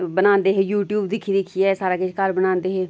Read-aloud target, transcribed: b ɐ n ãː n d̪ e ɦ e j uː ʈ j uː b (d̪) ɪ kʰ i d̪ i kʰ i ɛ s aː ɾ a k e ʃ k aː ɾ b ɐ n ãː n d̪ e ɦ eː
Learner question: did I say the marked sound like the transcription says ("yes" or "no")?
yes